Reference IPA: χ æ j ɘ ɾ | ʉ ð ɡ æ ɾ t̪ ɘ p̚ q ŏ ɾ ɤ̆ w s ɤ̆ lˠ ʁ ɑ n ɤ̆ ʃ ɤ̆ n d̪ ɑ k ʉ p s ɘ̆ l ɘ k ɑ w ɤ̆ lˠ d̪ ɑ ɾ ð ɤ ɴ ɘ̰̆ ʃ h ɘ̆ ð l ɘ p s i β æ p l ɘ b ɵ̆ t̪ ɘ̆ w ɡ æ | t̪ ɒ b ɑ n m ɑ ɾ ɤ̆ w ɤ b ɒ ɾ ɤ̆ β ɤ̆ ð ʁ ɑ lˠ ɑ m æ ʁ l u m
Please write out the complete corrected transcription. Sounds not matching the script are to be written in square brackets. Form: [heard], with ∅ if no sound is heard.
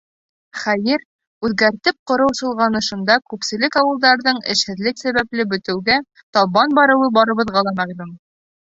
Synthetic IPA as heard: χ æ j ɘ ɾ | ʉ ð ɡ æ ɾ t̪ ɘ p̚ q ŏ ɾ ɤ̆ w s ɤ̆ lˠ ʁ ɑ n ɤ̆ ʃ ɤ̆ n d̪ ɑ k ʉ p s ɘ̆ l ɘ k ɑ w ɤ̆ lˠ d̪ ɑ ɾ ð ɤ ɴ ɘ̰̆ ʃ h ɘ̆ ð l ɘ [k] s [æ] β æ p l ɘ b ɵ̆ t̪ ɘ̆ w ɡ æ | t̪ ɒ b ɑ n [b] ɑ ɾ ɤ̆ w ɤ b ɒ ɾ ɤ̆ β ɤ̆ ð ʁ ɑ lˠ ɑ m æ ʁ l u m